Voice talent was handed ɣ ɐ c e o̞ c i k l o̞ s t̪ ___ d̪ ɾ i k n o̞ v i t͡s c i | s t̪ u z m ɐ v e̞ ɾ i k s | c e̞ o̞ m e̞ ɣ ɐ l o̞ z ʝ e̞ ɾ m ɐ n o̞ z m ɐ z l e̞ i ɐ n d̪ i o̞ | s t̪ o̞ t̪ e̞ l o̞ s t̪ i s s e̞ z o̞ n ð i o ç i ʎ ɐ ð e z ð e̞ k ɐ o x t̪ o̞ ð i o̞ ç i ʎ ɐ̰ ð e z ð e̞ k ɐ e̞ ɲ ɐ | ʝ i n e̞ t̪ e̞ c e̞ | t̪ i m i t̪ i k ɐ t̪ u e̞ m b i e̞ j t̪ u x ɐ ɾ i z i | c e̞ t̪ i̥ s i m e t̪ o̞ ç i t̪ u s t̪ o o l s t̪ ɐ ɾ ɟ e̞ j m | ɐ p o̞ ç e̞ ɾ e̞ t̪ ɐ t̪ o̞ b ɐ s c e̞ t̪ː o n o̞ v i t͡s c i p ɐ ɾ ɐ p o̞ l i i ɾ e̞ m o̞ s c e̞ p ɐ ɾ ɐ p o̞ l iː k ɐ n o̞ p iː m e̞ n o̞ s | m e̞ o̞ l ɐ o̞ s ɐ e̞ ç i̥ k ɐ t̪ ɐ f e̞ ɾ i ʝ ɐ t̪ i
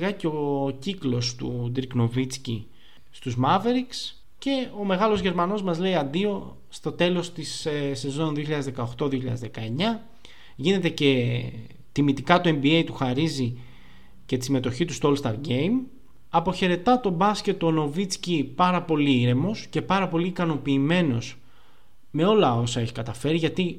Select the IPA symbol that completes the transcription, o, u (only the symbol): u